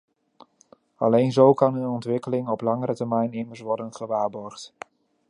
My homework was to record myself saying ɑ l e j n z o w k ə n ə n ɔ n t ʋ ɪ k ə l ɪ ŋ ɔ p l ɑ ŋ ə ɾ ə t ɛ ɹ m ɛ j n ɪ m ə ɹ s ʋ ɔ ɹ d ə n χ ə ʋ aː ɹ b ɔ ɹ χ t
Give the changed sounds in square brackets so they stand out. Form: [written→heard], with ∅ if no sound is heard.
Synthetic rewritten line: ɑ l e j n z o w k [ə→ɑ] n ə n ɔ n t ʋ ɪ k ə l ɪ ŋ ɔ p l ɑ ŋ ə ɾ ə t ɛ ɹ m ɛ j n ɪ m ə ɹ s ʋ ɔ ɹ d ə n χ ə ʋ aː ɹ b ɔ ɹ χ t